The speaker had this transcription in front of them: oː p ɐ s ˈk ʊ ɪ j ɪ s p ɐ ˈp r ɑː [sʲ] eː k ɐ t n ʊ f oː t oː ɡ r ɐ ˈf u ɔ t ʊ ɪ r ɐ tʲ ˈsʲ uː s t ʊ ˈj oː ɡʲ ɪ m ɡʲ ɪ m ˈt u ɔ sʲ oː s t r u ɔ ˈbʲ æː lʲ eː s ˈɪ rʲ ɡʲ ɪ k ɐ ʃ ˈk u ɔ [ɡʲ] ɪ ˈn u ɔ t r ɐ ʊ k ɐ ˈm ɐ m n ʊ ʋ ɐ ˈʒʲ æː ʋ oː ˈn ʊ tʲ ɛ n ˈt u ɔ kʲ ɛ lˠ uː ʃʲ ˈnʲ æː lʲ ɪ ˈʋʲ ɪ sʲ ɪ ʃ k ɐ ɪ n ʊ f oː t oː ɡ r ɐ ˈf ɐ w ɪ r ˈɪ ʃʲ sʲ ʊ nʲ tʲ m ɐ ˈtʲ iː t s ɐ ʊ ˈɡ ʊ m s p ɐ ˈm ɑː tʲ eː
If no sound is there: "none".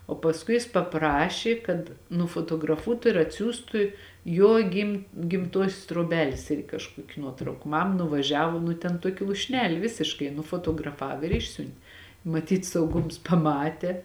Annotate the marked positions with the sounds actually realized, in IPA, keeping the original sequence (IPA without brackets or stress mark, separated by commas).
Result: ʃʲ, kʲ